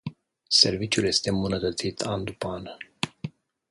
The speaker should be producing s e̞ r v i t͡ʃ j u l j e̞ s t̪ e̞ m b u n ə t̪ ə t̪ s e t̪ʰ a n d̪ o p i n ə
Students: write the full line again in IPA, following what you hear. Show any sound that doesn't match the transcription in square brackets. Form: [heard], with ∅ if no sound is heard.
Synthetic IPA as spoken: s e̞ r v i t͡ʃ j u l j e̞ s t̪ e̞ m b u n ə t̪ ə t̪ s [i] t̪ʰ a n d̪ [u] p [a] n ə